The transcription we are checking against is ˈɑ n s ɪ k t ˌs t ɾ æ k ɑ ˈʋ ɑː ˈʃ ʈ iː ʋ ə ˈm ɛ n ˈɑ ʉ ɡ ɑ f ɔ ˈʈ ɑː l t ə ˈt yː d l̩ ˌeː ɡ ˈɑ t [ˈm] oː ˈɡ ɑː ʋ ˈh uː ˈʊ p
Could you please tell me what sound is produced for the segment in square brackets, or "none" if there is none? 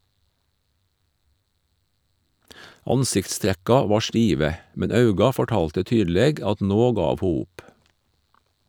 n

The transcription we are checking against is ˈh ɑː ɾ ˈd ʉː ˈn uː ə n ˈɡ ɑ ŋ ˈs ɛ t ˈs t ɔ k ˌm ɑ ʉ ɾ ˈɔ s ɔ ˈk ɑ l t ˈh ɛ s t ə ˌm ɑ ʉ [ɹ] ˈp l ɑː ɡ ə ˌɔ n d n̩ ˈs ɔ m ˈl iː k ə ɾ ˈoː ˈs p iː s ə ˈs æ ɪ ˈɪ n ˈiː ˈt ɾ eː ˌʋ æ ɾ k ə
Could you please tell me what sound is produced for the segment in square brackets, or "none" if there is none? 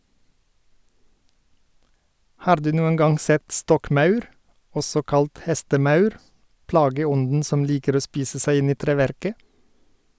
ɾ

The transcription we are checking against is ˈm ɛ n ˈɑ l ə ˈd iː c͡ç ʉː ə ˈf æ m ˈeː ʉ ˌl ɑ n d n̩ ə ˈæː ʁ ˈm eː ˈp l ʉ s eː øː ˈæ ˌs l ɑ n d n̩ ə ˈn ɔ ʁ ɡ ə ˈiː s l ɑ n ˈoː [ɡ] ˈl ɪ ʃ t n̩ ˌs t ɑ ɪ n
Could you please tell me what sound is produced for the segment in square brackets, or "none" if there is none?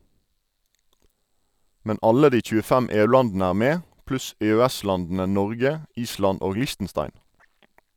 ɡ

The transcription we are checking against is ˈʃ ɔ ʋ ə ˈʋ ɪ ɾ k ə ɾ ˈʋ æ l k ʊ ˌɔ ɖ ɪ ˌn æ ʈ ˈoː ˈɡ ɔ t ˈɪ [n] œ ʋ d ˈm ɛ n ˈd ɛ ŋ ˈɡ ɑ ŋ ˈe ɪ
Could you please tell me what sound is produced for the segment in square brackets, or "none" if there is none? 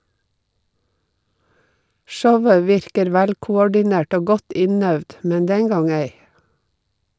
n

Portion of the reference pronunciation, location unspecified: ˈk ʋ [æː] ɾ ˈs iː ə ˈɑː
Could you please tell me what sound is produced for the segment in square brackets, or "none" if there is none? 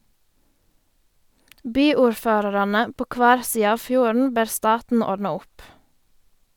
æː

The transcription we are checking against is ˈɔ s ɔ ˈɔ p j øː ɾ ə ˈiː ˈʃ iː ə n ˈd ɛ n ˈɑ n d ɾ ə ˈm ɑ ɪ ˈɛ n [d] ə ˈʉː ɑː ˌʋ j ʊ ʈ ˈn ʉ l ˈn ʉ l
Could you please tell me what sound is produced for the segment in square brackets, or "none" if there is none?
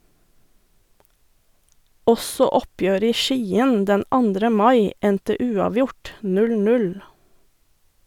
t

